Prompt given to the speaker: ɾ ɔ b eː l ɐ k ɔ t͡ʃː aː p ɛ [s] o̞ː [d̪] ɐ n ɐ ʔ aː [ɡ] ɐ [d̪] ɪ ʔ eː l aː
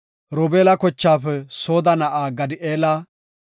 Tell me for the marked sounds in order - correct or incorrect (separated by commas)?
correct, correct, correct, correct